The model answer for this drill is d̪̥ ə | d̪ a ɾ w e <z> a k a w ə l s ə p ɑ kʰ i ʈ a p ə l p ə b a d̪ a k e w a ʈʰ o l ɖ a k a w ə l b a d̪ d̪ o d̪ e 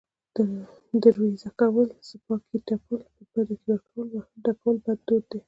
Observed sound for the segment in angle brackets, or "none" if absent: z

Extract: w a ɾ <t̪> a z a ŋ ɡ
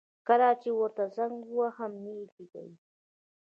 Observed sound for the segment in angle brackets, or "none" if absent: t̪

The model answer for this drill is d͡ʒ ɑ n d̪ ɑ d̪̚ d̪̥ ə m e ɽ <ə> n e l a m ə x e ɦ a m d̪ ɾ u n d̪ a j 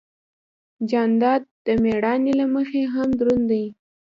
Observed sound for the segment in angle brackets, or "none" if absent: ɑ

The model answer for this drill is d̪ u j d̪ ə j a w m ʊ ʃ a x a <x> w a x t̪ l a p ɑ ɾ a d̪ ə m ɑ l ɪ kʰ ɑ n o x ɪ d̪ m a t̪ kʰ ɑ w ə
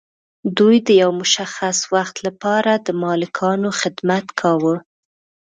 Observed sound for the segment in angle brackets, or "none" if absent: s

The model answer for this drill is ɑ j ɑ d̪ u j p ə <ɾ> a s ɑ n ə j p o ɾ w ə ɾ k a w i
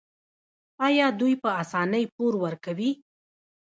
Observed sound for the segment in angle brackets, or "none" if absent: none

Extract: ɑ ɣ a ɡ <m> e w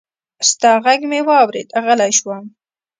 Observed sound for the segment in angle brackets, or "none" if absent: m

